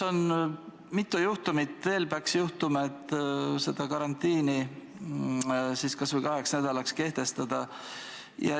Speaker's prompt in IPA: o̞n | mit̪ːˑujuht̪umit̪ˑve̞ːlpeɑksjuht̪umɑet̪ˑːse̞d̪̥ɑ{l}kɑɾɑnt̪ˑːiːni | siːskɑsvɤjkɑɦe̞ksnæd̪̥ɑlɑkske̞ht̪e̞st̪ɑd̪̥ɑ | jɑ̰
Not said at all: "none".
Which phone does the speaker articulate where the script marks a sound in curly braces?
none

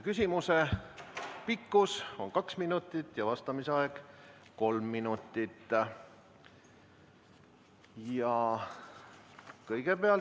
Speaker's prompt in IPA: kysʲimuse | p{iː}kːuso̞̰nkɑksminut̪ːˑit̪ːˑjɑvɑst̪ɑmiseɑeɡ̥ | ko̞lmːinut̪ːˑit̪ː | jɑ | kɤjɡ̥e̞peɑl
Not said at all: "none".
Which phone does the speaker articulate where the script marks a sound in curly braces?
i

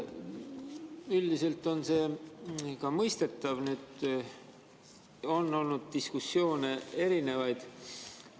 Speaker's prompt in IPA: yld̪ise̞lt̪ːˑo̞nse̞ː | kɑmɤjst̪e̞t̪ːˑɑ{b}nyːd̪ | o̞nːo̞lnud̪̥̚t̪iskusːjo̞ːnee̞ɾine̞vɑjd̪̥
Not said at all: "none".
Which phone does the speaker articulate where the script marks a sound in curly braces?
v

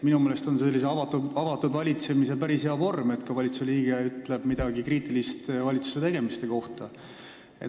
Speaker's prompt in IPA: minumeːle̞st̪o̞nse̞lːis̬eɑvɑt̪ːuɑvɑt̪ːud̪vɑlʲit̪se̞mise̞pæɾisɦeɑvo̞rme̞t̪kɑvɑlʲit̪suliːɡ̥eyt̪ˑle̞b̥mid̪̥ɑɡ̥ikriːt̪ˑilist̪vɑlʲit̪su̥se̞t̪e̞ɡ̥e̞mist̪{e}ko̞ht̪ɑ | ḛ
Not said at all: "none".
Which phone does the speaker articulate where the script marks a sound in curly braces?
e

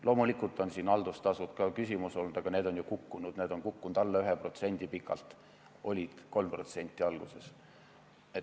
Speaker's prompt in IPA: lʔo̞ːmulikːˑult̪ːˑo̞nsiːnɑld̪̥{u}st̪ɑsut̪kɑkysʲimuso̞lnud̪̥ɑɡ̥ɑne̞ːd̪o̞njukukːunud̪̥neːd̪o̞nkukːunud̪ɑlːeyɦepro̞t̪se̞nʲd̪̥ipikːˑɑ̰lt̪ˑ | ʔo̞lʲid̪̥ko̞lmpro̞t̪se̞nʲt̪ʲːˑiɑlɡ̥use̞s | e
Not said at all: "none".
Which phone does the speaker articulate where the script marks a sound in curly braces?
u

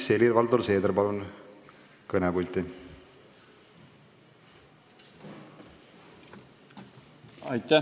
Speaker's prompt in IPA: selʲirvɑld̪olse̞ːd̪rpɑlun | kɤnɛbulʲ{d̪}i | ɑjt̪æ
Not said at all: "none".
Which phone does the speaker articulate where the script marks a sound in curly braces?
t̪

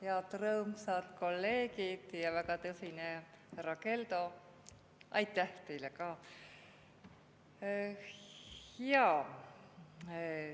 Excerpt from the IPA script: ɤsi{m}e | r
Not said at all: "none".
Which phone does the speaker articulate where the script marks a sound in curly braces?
n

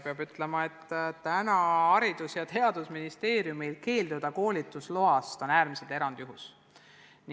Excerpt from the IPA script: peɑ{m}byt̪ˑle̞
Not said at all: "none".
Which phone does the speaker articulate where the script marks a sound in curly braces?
none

